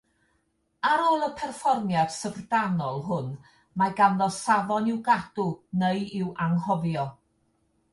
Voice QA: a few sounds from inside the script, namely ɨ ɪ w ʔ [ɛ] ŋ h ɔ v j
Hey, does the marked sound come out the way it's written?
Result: no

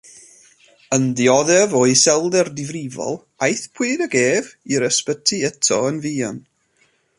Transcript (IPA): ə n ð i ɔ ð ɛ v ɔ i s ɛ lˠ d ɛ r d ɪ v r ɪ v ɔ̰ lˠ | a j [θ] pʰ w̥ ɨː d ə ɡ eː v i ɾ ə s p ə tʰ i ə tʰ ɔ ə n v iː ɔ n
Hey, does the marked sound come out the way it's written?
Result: yes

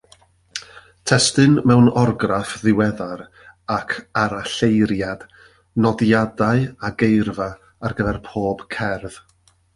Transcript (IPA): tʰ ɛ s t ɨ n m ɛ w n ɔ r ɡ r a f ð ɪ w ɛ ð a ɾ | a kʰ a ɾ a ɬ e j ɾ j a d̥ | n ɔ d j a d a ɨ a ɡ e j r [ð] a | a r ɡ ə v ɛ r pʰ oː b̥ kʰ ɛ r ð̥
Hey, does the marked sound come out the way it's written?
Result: no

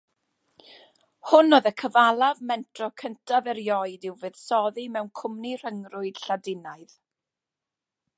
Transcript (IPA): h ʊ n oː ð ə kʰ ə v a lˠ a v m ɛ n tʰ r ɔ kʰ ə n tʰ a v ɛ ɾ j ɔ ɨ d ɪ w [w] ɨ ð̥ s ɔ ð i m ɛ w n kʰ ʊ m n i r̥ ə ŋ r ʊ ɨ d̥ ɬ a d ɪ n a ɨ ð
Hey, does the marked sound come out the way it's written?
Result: no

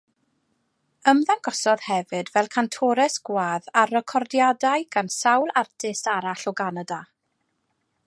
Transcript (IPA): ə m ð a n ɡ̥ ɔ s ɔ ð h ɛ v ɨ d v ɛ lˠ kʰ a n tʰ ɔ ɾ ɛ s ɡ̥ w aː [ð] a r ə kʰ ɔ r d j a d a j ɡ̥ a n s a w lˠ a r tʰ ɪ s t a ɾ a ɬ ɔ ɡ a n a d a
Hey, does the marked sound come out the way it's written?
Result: yes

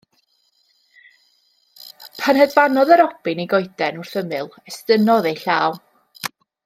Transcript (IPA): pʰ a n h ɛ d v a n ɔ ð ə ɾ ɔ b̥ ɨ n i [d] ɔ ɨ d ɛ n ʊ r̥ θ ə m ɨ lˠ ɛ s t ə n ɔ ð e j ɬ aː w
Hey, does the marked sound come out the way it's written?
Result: no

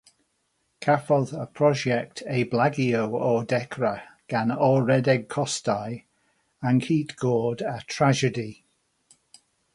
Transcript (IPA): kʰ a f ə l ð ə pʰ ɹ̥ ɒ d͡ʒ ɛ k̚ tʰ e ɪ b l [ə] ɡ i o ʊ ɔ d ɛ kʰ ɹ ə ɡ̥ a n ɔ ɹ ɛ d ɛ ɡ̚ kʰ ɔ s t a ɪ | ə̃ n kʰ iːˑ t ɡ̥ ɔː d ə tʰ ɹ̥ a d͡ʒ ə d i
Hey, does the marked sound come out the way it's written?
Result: no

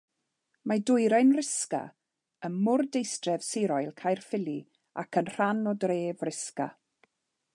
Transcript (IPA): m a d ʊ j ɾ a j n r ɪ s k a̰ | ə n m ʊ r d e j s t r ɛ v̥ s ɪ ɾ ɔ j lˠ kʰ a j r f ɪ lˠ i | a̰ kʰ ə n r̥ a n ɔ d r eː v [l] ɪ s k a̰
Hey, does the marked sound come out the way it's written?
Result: no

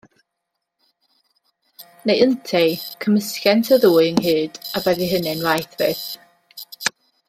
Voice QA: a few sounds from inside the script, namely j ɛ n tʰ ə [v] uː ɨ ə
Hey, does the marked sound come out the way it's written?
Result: no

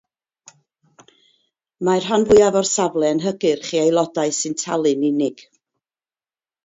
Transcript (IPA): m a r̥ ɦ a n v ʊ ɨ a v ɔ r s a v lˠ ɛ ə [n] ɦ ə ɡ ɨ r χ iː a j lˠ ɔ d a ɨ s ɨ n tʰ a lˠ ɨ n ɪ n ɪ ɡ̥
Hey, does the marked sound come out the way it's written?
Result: yes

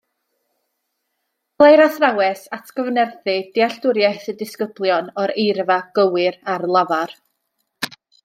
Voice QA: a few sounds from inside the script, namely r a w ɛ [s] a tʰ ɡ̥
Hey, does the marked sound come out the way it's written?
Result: yes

